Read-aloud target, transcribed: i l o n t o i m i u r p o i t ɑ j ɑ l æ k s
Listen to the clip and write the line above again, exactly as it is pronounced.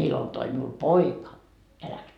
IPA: i l o n t o i m i u l p o i k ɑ j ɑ l æ k s